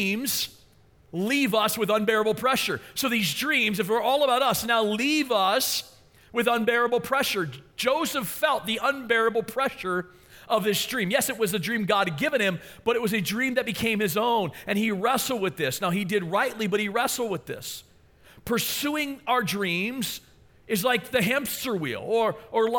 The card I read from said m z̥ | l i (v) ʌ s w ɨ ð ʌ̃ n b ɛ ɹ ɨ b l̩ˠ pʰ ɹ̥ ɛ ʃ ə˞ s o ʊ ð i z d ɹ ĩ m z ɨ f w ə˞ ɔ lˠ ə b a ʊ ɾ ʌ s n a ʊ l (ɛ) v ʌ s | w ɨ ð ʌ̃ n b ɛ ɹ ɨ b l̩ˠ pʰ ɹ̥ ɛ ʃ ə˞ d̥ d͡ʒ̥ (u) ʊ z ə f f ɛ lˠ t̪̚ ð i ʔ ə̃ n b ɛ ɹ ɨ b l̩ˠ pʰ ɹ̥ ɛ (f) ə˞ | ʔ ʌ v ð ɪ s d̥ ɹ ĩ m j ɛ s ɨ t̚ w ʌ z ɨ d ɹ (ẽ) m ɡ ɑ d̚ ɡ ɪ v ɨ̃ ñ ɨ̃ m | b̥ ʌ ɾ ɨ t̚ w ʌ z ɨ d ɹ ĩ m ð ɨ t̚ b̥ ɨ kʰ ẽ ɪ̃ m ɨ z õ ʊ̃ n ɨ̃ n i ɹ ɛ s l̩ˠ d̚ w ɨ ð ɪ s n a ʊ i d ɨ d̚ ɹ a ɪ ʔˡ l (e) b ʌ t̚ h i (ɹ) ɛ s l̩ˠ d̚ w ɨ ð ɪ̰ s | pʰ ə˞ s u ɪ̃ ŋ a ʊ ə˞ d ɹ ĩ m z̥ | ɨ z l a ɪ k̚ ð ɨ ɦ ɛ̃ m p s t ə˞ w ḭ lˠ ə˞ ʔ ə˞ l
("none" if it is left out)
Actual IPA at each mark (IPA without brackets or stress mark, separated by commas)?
v, i, o, ʃ, ĩ, i, ɹ